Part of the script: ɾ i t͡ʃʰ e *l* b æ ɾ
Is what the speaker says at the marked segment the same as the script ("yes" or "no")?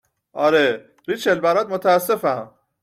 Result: yes